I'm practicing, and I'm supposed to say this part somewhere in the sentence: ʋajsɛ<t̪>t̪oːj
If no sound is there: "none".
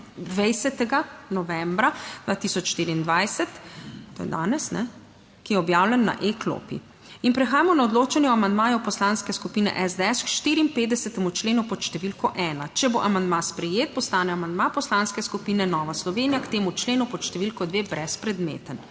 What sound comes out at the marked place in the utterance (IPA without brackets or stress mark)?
t̪